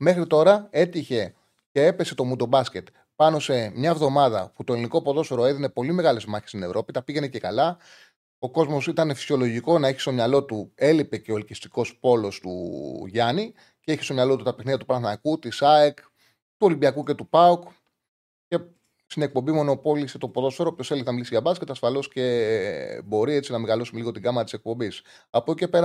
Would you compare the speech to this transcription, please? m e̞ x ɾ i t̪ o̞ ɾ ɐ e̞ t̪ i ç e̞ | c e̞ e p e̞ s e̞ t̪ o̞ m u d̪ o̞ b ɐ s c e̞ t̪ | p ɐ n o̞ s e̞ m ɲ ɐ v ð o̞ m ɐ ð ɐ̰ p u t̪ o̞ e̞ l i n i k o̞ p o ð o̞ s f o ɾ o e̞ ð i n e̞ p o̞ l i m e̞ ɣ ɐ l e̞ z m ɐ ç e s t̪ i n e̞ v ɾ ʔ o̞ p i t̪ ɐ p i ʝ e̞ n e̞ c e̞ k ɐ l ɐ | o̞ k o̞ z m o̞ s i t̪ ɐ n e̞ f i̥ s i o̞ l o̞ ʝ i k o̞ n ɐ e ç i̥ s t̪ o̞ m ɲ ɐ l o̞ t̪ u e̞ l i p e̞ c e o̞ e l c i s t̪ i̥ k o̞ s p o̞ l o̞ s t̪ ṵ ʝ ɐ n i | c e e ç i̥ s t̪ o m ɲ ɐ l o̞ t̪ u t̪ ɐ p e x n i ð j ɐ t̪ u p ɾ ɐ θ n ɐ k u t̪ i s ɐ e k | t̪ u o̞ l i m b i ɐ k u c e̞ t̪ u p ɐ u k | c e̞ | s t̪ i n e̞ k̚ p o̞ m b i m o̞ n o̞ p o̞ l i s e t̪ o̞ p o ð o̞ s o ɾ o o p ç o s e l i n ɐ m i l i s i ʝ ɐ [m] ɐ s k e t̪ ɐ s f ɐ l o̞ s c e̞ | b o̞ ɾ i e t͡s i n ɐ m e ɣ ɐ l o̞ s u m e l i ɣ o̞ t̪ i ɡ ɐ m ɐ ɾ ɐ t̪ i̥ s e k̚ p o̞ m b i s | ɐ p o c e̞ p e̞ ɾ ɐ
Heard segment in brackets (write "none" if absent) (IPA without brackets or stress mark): b